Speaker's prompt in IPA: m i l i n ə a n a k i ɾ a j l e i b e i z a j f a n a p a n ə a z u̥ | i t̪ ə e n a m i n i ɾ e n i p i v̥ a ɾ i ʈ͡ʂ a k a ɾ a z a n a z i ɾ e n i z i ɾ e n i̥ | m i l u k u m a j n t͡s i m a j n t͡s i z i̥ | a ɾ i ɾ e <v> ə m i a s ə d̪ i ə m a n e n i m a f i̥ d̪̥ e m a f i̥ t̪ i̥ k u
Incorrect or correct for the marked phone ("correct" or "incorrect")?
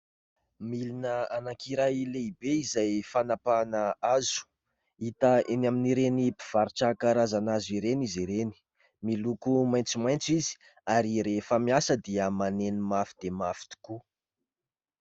incorrect